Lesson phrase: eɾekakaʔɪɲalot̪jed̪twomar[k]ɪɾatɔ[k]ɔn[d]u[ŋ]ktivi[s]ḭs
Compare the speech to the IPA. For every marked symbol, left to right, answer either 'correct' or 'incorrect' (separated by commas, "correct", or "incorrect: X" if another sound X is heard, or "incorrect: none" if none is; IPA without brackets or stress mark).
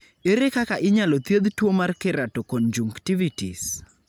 correct, correct, incorrect: d͡ʒ, correct, incorrect: t